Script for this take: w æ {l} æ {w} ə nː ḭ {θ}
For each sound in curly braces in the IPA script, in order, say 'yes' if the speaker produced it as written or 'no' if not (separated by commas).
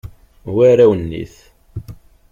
no, yes, yes